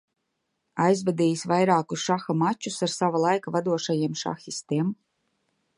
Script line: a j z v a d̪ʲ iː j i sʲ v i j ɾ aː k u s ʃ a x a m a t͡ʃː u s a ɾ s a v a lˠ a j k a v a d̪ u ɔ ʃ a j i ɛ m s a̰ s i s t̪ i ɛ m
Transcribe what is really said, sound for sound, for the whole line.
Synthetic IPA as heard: a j z v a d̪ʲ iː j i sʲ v a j ɾ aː k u s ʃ a x a m a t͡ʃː u s a ɾ s a v a lˠ a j k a v a d̪ u ɔ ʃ a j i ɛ m ʃ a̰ x i s t̪ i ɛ m